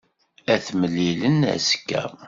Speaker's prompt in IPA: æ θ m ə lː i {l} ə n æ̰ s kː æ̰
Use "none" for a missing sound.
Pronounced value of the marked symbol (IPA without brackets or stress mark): l